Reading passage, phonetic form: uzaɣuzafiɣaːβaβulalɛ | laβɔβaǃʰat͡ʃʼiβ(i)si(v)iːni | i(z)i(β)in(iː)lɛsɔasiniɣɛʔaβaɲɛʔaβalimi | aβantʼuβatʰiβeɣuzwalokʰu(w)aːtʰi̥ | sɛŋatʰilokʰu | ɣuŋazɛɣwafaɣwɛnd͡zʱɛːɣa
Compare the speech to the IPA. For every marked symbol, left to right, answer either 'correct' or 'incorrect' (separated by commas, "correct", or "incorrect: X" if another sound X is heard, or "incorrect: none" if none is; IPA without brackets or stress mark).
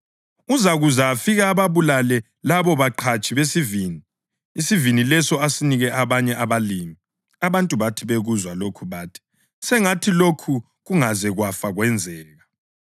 incorrect: e, correct, incorrect: s, incorrect: v, incorrect: i, incorrect: β